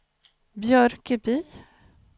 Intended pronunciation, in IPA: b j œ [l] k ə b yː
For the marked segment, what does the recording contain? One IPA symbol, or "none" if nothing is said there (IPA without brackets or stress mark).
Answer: ɾ